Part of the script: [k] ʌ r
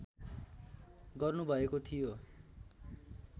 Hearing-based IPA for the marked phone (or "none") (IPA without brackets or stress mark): ɡ